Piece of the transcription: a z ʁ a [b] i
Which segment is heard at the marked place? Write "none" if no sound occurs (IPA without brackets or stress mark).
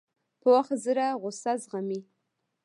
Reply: m